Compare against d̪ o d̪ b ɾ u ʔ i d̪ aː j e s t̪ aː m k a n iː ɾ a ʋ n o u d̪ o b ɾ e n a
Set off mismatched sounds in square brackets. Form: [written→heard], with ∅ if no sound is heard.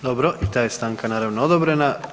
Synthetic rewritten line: d̪ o [d̪→∅] b ɾ [u→o] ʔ i [d̪→t̪] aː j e s t̪ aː [m→ŋ] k a n [iː→aː] ɾ a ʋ n o [u→o] d̪ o b ɾ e n a